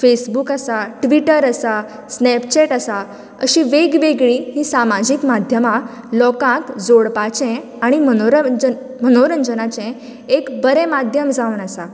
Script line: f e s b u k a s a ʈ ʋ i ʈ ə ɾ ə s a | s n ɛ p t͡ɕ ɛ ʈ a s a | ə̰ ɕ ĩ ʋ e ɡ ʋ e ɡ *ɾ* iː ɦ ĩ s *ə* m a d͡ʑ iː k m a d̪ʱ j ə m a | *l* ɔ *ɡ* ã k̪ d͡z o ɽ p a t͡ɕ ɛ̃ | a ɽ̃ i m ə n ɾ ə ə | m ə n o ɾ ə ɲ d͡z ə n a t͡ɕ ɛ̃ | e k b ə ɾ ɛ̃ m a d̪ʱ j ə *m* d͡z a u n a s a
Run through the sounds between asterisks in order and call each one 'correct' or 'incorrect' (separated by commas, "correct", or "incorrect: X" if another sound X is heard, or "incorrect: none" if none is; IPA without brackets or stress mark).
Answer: incorrect: ɭ, incorrect: a, correct, incorrect: k, correct